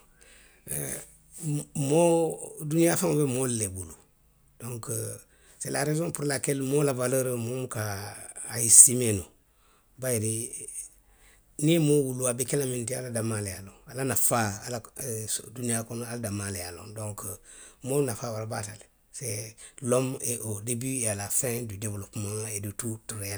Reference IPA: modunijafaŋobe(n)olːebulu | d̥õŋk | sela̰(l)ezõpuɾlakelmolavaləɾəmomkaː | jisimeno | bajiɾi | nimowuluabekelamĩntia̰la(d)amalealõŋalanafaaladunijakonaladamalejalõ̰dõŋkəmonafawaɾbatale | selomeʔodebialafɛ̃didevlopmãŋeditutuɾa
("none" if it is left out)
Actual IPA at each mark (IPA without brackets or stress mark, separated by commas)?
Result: m, ɾ, d